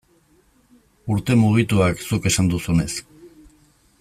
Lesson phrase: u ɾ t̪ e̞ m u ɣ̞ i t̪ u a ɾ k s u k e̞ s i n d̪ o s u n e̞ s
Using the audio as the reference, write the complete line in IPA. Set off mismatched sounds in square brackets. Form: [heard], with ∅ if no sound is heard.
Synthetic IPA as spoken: u ɾ t̪ e̞ m u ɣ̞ i t̪ u a [∅] k s u k e̞ s [a] n d̪ [u] s u n e̞ s